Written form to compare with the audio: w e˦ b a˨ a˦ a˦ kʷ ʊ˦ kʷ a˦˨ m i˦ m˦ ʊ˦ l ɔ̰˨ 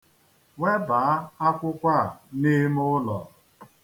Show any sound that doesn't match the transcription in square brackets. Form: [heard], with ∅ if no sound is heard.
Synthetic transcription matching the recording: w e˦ b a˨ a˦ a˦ kʷ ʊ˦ kʷ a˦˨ [n] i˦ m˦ ʊ˦ l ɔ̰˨